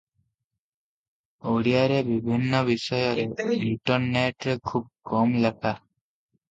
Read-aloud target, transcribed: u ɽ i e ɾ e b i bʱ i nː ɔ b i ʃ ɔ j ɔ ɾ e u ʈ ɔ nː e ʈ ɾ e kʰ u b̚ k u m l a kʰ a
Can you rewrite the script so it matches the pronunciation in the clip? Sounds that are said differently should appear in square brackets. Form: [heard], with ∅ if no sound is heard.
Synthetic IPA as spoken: [o] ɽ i [a] ɾ e b i bʱ i nː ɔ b i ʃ ɔ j ɔ ɾ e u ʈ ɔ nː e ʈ ɾ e kʰ u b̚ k [ɔ] m l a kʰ a